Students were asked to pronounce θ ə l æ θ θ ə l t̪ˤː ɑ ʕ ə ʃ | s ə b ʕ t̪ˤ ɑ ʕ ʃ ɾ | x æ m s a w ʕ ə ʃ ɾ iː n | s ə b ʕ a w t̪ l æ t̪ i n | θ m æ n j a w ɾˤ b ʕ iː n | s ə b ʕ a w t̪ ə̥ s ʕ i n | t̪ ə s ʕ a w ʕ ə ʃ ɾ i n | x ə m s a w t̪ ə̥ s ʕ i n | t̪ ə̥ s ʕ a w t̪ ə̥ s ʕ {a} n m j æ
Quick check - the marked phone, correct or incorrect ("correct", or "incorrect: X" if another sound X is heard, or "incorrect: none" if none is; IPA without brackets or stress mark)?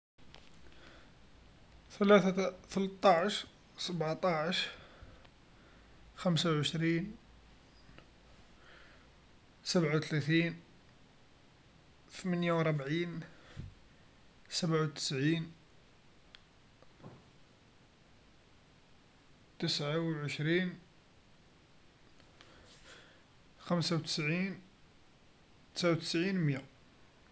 incorrect: i